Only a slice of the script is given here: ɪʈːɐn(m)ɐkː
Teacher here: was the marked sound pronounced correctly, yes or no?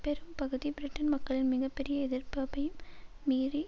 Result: yes